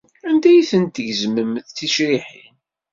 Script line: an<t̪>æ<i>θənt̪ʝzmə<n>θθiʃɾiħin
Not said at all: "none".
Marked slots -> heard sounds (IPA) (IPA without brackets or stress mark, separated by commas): d̪, j, m